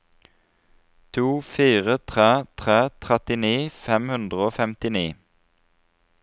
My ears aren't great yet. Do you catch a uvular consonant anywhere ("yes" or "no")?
yes